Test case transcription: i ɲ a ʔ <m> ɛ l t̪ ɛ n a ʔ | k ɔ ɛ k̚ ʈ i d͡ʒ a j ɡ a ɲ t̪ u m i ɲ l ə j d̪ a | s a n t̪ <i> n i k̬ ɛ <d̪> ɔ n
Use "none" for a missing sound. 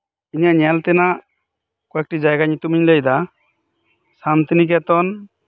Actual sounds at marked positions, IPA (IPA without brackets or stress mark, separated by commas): ɲ, i, t̪